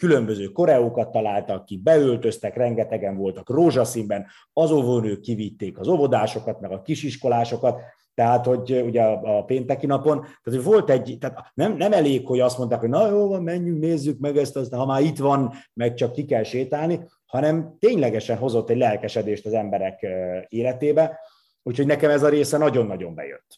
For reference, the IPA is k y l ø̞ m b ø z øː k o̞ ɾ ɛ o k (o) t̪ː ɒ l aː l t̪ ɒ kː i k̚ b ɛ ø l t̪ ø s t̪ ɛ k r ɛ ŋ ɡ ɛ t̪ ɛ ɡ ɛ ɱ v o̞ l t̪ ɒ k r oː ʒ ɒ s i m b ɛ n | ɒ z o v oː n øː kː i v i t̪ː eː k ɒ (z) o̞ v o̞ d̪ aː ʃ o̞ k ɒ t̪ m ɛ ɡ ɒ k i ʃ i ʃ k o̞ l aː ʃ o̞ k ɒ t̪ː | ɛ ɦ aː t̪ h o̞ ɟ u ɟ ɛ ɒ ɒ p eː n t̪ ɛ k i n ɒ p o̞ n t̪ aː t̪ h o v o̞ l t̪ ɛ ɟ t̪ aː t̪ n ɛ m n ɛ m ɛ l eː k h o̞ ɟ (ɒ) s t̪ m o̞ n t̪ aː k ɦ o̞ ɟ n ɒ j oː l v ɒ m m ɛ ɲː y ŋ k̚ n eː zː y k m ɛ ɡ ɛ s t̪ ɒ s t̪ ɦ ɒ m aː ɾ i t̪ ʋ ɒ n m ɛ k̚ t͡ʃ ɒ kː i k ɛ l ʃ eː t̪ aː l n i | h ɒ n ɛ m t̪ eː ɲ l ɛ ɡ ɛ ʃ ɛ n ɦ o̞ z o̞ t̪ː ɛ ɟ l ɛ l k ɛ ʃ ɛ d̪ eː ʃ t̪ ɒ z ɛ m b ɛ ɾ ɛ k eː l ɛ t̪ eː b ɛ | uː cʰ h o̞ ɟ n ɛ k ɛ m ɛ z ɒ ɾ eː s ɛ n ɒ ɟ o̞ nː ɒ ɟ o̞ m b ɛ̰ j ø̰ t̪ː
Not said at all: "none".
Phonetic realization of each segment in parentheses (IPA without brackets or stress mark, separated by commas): ɒ, z, ɒ